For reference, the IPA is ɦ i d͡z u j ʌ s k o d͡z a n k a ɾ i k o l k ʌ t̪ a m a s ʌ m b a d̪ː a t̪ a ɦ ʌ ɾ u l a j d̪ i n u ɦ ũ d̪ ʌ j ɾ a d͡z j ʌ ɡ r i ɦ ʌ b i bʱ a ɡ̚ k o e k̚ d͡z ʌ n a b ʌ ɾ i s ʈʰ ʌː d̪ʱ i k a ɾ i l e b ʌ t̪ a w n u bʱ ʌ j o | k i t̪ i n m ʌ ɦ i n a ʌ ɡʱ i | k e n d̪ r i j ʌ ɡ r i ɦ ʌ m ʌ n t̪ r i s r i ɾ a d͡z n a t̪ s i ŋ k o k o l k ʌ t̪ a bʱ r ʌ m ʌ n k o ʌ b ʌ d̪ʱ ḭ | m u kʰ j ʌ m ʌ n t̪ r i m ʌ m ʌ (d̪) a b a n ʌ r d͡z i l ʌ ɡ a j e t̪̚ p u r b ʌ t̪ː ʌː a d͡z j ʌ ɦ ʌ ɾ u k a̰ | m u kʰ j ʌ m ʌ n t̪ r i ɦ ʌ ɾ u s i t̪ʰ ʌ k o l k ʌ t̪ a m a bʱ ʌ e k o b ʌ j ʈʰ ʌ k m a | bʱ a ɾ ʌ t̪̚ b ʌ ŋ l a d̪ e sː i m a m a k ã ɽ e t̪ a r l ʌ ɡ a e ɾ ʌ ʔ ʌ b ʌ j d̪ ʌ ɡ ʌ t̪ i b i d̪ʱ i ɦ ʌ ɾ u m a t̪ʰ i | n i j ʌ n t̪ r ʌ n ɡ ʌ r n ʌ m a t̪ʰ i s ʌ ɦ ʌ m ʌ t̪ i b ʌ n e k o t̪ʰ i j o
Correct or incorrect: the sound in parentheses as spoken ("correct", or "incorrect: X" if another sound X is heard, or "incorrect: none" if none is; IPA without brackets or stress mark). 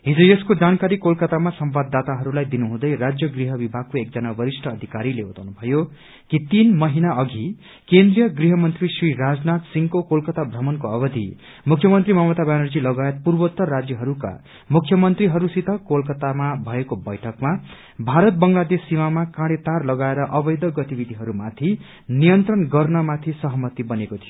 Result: incorrect: t̪